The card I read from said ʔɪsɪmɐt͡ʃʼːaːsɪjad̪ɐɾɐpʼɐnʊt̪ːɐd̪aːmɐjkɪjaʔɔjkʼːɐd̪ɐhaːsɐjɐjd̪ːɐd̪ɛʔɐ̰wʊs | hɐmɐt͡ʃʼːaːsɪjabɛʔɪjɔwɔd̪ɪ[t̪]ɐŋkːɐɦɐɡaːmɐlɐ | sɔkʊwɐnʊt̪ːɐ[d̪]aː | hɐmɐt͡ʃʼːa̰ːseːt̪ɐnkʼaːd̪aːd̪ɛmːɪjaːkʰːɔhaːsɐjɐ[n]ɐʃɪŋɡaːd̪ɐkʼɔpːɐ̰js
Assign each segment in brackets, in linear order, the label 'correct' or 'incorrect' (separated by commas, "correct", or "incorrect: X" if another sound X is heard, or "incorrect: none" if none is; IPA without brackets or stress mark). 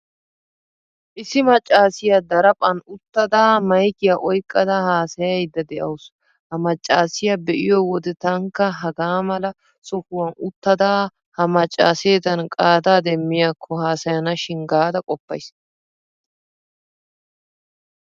correct, correct, correct